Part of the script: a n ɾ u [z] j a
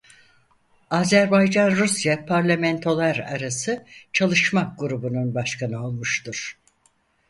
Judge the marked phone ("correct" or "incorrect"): incorrect